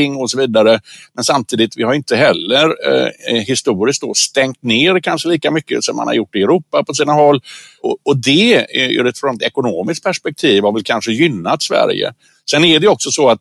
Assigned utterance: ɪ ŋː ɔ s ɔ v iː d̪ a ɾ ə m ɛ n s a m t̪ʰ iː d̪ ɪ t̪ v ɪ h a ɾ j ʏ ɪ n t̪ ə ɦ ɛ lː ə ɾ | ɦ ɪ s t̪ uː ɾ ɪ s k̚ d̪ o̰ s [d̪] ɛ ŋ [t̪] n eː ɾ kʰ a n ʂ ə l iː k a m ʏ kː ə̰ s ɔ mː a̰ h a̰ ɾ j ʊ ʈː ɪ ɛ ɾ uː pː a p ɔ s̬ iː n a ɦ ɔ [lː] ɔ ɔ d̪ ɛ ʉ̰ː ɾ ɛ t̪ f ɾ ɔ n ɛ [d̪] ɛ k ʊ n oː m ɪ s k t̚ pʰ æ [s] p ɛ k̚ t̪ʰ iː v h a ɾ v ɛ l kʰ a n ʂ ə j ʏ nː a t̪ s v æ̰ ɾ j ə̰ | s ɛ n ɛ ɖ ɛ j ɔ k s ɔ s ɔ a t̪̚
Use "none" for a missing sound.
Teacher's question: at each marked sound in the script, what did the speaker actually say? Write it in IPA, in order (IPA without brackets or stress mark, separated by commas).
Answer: t̪, t̪, lː, t̪, ʂ